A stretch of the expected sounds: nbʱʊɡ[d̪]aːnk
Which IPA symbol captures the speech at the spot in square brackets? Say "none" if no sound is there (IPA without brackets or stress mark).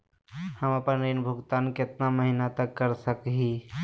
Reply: t̪